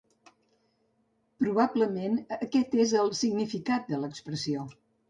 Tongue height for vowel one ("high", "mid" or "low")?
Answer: high